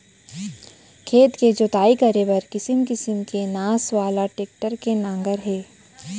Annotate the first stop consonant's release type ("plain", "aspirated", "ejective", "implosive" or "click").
aspirated